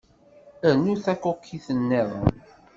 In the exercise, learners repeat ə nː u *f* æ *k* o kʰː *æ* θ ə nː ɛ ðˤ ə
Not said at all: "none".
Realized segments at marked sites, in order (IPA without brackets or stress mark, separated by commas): θ, k, i